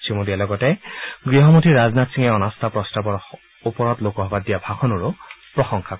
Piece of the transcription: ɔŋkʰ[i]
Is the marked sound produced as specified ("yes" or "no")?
no